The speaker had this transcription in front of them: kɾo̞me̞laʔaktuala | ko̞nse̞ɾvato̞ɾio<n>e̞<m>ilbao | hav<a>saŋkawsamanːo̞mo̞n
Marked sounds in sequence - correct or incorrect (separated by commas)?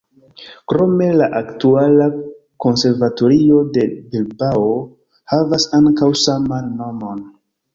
incorrect, incorrect, correct